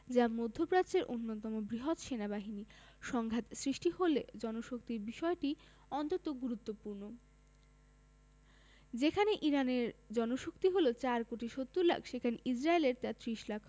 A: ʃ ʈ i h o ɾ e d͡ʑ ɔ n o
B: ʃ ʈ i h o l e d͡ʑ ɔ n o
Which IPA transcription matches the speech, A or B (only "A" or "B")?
B